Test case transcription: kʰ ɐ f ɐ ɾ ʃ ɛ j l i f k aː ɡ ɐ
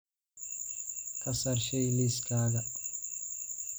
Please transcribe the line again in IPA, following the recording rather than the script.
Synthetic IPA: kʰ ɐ s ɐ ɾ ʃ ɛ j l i s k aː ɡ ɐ